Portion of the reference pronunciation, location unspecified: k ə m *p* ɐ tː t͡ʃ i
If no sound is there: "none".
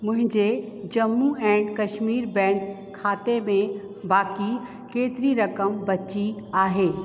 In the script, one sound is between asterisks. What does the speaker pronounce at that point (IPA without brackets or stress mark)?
b